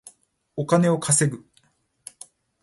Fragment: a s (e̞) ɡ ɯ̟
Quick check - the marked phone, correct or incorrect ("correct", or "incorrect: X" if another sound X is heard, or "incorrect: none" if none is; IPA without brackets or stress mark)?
correct